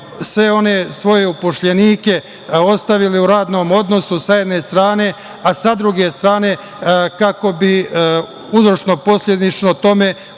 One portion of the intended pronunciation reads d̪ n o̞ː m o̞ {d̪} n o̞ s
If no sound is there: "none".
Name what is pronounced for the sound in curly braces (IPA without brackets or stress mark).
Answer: d̪